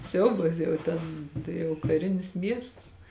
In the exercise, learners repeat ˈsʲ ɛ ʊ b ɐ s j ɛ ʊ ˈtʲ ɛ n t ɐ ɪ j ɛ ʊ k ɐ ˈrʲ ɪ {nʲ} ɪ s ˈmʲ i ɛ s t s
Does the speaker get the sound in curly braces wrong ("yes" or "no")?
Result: no